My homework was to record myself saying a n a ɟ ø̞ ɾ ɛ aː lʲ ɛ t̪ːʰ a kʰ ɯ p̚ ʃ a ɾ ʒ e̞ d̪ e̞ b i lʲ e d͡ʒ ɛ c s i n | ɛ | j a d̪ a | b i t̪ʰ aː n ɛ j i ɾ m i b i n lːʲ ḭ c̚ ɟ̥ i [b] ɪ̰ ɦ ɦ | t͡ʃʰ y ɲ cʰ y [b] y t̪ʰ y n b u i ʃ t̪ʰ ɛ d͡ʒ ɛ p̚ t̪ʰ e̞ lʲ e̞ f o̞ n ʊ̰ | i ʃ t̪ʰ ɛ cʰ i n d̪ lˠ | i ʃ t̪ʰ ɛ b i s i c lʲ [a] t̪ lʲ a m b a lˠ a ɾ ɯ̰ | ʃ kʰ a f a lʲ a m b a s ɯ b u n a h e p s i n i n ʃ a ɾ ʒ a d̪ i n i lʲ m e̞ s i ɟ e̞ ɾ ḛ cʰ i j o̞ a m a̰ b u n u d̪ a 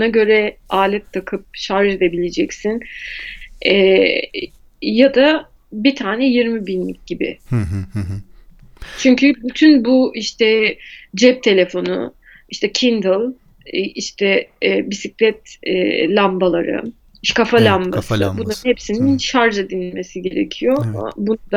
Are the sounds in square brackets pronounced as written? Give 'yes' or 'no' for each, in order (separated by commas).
yes, yes, no